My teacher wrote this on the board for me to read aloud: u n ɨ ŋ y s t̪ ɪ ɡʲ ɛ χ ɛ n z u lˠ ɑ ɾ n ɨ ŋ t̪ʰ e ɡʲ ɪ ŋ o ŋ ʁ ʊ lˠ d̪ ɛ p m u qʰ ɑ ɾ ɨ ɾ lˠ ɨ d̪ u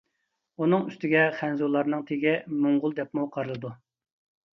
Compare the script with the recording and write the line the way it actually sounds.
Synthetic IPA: u n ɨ ŋ y s t̪ ɪ ɡʲ ɛ χ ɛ n z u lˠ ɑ ɾ n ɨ ŋ t̪ʰ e ɡʲ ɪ m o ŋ ʁ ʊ lˠ d̪ ɛ p m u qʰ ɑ ɾ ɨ lˠ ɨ d̪ u